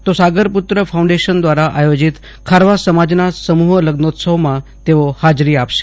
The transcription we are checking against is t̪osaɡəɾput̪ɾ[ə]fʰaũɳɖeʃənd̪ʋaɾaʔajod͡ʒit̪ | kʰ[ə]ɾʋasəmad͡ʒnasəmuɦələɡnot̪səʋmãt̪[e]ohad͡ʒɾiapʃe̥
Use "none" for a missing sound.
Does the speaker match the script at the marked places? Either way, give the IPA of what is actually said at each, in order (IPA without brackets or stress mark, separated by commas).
ə, a, e